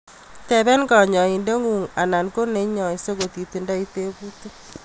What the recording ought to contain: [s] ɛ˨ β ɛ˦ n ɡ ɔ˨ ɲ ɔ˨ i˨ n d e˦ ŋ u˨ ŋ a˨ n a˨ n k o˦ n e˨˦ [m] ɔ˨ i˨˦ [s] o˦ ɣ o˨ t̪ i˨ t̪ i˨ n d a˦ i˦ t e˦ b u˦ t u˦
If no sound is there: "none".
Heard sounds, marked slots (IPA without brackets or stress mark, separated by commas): t, ɲ, s